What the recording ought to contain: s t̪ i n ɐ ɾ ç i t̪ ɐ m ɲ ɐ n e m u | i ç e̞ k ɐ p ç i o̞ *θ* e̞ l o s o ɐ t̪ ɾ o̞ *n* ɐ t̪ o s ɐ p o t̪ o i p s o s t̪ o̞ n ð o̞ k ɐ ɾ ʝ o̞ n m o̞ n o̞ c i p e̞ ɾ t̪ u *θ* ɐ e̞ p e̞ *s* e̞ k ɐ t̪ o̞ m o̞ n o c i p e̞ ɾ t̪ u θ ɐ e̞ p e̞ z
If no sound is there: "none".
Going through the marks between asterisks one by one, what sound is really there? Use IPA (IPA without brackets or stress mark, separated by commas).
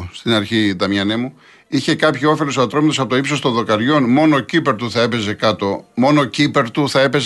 f, m, θ, z